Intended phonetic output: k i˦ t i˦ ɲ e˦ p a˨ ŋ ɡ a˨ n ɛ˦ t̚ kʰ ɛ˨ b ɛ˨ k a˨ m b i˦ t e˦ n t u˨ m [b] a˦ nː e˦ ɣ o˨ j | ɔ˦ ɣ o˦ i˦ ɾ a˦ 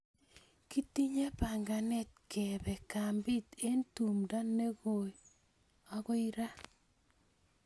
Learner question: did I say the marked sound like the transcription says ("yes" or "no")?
no